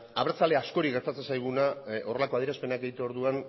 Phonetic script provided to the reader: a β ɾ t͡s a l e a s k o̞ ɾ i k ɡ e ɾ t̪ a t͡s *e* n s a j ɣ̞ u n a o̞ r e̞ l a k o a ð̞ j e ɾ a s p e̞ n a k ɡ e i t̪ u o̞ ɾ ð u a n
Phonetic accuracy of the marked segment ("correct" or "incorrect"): correct